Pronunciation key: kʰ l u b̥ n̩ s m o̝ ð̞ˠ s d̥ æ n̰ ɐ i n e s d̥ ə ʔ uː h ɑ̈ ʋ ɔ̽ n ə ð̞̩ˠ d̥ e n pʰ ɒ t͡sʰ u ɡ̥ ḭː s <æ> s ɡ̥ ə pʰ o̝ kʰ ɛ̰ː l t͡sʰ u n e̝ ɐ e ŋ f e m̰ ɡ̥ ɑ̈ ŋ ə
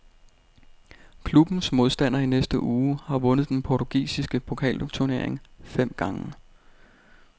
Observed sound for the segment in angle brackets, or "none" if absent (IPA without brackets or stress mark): i